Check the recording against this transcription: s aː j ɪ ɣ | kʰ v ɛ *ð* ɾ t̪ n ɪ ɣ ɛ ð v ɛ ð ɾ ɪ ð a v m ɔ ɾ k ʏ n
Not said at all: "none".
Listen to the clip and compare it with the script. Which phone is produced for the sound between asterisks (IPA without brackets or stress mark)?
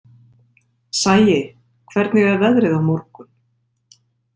none